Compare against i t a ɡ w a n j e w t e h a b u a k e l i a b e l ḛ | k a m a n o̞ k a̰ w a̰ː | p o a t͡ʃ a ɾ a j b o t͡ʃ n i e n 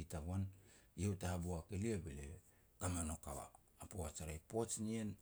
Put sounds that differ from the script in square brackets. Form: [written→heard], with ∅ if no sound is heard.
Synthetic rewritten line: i t a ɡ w a n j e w t [e→a] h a b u a k e l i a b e l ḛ | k a m a n o̞ k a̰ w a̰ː | p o a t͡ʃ a ɾ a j [b→p] o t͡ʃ n i e n